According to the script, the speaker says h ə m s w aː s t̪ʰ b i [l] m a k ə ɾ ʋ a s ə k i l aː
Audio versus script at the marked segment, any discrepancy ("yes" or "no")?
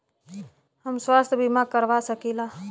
yes